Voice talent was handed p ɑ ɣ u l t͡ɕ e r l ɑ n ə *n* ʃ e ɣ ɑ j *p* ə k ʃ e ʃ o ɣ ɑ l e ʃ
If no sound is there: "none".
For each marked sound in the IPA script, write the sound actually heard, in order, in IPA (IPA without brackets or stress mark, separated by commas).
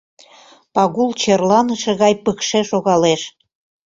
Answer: none, p